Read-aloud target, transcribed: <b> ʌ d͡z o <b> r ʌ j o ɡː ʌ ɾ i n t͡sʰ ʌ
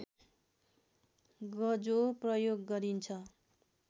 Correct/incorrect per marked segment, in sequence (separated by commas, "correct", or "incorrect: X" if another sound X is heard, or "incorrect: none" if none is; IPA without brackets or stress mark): incorrect: ɡ, incorrect: p